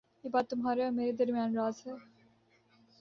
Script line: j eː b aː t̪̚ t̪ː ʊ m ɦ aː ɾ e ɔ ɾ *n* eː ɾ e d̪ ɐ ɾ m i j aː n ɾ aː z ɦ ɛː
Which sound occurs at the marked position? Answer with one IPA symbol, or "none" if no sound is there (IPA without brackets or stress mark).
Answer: m